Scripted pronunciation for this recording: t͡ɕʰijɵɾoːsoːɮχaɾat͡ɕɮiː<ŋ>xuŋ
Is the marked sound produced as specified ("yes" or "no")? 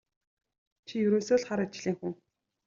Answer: yes